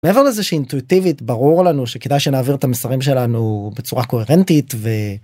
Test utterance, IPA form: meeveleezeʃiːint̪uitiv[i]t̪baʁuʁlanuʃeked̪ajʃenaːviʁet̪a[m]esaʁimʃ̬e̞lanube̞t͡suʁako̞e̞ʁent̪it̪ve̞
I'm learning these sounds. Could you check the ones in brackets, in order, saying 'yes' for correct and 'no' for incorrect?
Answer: yes, yes

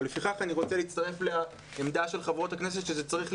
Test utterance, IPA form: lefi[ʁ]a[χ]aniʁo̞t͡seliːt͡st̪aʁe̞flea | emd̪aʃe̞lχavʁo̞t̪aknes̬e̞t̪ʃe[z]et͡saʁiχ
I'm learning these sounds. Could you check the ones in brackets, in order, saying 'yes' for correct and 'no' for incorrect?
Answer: no, yes, yes

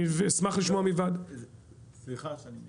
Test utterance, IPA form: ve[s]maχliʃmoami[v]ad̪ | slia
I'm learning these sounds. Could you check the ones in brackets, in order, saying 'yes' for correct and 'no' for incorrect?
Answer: yes, yes

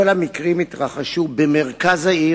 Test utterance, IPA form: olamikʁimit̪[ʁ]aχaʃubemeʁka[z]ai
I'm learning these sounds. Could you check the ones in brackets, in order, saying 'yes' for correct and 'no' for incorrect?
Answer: yes, yes

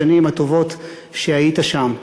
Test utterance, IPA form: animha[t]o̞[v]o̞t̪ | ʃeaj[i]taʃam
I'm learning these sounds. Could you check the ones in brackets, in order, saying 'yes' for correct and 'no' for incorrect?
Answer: yes, yes, yes

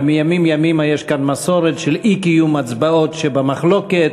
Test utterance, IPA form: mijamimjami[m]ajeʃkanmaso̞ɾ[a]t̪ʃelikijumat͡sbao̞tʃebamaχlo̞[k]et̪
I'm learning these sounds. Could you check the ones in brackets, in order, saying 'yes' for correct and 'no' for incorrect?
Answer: yes, no, yes

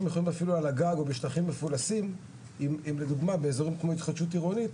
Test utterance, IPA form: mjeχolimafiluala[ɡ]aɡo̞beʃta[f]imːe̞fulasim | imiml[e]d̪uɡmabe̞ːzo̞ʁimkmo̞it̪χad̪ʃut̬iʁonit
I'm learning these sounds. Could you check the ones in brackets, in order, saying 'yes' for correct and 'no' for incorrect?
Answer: yes, no, yes

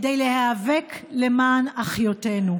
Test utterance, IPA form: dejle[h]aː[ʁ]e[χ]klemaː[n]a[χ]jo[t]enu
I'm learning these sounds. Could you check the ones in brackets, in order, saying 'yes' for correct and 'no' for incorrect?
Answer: yes, no, no, yes, yes, yes

